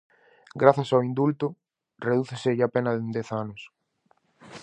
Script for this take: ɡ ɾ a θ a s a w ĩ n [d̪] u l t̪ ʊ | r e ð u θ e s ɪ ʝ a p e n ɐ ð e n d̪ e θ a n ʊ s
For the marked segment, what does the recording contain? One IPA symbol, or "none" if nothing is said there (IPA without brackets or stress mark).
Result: d̪